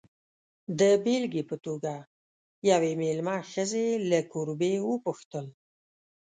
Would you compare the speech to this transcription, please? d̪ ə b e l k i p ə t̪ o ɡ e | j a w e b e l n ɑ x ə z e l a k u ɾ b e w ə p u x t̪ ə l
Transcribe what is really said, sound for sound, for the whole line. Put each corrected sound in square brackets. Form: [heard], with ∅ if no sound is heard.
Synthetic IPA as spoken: d̪ ə b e l [ɡ] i p ə t̪ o ɡ [a] | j a w e [m] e l [m] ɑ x ə z e l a k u ɾ b e w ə p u x t̪ ə l

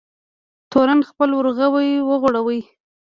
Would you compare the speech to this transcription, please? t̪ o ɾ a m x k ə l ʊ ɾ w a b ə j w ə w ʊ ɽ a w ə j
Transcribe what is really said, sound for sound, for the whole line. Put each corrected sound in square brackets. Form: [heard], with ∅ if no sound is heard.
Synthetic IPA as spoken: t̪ o ɾ a [n] x [p] ə l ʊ ɾ [ɣ] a [w] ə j w ə [ɣ] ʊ ɽ a w ə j

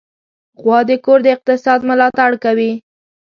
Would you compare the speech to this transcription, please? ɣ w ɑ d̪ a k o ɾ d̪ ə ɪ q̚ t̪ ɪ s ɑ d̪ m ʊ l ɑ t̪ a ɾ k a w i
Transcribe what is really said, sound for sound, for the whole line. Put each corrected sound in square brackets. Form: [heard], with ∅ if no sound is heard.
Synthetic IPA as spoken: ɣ w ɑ d̪ [ə] k o ɾ d̪ ə ɪ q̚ t̪ ɪ s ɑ d̪ m ʊ l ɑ t̪ a [ɽ] k a w i

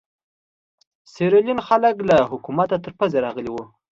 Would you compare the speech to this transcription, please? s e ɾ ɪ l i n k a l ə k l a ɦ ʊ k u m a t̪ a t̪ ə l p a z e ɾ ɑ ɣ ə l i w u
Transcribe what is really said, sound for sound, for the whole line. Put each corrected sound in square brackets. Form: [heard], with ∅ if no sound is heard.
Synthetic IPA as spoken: s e ɾ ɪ l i n [x] a l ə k l a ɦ ʊ k u m a t̪ a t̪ ə [ɾ] p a z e ɾ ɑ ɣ ə l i w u

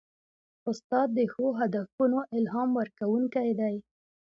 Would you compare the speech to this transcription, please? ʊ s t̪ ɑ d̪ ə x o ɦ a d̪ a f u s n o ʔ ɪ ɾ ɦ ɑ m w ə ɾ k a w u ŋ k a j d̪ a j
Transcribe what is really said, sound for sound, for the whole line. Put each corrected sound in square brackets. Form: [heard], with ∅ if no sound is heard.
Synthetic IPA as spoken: ʊ s t̪ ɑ [d̪ː] ə x o ɦ a d̪ a f u [∅] n o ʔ ɪ [l] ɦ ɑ m w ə ɾ k a w u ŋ k a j d̪ a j

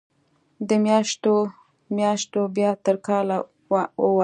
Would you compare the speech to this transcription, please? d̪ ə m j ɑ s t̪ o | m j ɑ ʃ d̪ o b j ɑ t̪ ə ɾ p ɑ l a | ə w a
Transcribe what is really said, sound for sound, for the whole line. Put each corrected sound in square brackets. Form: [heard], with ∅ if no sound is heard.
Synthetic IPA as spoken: d̪ ə m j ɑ [ʃ] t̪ o | m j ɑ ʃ [t̪] o b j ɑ t̪ ə ɾ [k] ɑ l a | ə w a

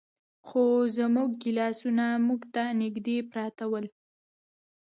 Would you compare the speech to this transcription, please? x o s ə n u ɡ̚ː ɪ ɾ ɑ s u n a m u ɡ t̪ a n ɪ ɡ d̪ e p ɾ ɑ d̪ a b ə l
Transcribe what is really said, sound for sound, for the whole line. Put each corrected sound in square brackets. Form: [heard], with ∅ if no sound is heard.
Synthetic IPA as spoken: x o [z] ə [m] u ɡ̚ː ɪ [l] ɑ s u n a m u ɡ t̪ a n ɪ ɡ d̪ e p ɾ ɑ [t̪] a [w] ə l

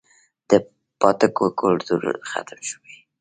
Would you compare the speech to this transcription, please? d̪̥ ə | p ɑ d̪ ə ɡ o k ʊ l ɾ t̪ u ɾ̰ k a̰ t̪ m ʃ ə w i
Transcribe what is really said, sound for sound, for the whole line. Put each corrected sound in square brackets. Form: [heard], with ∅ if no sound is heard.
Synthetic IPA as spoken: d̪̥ ə | p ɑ [t̪] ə [k] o k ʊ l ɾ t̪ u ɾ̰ [x] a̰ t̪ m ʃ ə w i

